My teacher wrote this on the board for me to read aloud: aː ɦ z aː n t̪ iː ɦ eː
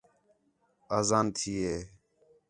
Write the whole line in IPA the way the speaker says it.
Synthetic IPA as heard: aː z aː n t̪ʰ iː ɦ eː